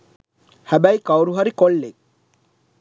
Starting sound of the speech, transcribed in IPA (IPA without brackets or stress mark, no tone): h